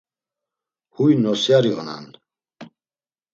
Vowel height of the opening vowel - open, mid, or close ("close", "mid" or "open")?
close